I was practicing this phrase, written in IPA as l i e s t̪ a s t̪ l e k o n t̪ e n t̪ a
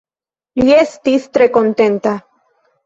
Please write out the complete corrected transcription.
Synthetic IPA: l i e s t̪ i s t̪ ɾ e k o n t̪ e n t̪ a